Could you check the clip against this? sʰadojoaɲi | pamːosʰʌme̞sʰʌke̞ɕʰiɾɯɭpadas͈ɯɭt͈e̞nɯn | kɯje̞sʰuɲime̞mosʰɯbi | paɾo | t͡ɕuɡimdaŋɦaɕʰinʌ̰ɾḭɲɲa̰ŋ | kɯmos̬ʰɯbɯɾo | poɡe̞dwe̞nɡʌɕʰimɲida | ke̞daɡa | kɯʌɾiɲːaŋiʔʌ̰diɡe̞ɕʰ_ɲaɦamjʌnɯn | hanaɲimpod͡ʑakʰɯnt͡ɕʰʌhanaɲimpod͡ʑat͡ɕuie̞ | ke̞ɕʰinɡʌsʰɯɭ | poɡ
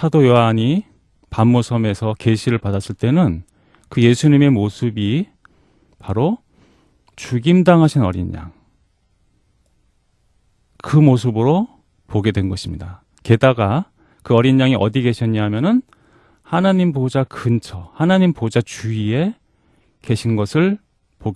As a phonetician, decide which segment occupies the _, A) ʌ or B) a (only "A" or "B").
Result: A